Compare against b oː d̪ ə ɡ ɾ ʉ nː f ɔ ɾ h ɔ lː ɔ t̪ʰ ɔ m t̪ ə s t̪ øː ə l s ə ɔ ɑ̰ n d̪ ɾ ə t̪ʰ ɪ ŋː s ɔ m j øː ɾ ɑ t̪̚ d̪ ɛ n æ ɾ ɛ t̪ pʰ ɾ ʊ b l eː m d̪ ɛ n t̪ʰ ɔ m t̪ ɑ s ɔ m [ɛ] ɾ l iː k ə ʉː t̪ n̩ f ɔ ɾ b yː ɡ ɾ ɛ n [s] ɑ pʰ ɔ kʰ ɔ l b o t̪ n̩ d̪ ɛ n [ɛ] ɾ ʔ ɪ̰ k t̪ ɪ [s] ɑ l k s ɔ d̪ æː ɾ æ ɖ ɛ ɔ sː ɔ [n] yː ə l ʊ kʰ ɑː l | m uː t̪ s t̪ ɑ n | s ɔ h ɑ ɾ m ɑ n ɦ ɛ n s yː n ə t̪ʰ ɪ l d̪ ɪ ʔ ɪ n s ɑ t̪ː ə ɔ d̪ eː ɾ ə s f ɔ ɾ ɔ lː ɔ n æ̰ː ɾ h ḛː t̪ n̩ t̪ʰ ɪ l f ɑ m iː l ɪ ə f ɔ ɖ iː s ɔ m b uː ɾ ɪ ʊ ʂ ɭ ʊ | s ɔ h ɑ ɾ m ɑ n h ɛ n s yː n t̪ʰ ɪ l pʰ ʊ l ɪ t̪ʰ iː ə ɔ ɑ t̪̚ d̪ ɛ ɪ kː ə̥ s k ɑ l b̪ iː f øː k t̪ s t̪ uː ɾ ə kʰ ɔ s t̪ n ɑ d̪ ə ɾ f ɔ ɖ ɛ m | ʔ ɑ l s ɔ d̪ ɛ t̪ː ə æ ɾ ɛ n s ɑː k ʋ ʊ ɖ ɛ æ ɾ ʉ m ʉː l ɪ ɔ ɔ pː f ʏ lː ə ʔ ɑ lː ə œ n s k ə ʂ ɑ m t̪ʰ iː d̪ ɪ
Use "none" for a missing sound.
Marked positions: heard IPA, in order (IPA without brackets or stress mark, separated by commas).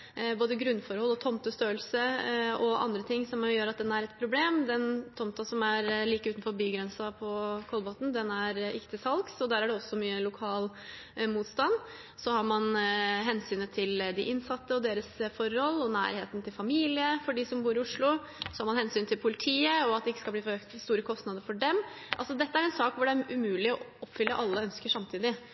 æ, s, æ, s, m